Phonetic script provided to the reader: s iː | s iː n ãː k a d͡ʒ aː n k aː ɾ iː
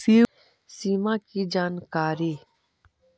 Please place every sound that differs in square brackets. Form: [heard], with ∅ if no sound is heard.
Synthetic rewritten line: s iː | s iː [m] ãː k [i] d͡ʒ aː n k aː ɾ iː